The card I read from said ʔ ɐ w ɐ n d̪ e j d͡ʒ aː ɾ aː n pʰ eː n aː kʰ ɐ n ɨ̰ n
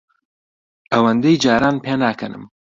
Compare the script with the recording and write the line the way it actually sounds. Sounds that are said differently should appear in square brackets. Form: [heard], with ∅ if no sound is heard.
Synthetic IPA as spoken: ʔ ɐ w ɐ n d̪ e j d͡ʒ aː ɾ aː n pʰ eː n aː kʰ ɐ n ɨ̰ [m]